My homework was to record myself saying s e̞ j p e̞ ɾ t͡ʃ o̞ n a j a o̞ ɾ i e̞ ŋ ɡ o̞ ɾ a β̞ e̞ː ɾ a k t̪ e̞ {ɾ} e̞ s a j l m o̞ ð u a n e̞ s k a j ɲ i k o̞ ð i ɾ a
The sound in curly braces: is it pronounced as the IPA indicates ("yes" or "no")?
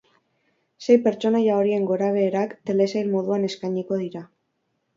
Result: no